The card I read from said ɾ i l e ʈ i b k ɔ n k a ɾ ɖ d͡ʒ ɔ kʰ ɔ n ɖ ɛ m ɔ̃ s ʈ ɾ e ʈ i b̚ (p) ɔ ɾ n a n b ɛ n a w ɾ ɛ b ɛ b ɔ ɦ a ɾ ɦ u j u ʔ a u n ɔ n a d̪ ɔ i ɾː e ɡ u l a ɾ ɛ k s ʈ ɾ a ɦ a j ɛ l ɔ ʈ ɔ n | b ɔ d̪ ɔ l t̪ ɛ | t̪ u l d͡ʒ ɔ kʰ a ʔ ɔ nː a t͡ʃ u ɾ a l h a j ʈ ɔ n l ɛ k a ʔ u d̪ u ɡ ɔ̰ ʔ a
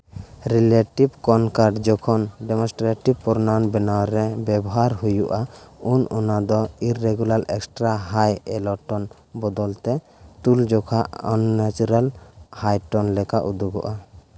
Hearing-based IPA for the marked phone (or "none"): p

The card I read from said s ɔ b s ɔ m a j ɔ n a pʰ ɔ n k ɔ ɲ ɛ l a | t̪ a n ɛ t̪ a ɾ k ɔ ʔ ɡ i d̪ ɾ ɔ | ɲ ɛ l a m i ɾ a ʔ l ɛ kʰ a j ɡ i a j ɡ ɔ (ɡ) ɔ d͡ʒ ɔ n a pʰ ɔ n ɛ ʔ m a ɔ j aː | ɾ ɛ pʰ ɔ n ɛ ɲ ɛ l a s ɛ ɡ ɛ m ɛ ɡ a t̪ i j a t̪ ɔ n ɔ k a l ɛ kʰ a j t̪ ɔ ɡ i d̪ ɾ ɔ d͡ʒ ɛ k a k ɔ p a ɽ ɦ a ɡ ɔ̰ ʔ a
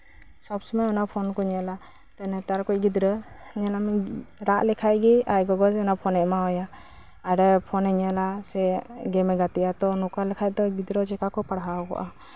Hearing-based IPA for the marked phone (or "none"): ɡ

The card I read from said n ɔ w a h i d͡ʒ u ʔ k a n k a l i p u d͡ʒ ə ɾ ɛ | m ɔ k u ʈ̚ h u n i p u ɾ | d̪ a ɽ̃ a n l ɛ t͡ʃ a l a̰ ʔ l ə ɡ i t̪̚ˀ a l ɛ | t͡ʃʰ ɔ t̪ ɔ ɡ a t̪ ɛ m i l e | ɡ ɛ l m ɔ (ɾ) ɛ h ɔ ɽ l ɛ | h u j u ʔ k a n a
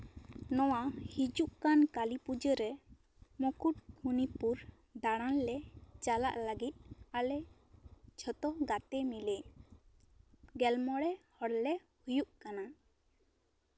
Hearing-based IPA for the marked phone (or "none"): ɽ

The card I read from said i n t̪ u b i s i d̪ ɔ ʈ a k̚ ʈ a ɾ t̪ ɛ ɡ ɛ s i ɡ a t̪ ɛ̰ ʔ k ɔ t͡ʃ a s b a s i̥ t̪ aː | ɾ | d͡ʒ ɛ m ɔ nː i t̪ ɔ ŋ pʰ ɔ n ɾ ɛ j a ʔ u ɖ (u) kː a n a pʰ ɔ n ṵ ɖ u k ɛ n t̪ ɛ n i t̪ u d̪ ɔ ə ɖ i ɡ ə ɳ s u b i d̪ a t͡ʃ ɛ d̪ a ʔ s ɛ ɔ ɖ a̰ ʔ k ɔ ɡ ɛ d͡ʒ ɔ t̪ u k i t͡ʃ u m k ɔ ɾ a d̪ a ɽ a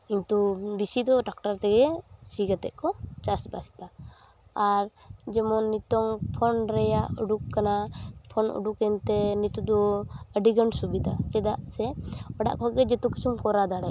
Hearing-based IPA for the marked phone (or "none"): u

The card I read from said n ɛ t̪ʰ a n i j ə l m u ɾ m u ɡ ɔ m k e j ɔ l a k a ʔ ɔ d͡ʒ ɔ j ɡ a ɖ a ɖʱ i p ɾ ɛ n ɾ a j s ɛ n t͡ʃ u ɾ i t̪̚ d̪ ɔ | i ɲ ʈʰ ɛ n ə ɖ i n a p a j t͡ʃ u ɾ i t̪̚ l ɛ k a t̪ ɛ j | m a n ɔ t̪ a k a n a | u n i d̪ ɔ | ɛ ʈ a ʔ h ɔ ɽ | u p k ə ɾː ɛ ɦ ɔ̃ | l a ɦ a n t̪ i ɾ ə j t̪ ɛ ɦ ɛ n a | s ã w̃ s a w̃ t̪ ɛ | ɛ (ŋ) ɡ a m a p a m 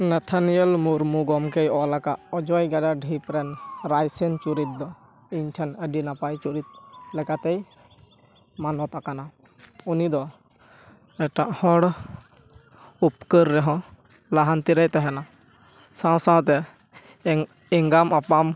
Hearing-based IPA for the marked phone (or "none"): ŋ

